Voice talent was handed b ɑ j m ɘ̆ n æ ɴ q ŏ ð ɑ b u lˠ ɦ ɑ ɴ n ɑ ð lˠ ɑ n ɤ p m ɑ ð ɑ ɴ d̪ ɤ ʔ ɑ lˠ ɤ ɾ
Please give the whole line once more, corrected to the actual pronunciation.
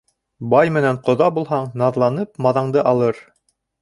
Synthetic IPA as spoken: b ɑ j m ɘ̆ n æ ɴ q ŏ ð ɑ b u lˠ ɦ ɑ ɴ n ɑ ð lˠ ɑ n ɤ p m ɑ ð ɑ ɴ d̪ ɤ ʔ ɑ lˠ ɤ ɾ